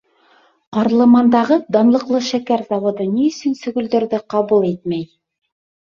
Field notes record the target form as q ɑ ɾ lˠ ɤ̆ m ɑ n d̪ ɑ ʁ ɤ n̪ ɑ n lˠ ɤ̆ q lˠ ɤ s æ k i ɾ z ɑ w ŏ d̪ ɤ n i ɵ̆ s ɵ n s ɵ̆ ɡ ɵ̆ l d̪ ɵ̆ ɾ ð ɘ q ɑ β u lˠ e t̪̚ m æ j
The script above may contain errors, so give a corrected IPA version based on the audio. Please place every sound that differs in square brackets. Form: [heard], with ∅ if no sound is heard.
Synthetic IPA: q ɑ ɾ lˠ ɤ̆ m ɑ n d̪ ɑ ʁ ɤ [d̪] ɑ n lˠ ɤ̆ q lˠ ɤ [ʃ] æ k [æ] ɾ z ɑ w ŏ d̪ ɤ n i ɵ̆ s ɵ n s ɵ̆ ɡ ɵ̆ l d̪ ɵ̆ ɾ ð ɘ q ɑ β u lˠ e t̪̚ m æ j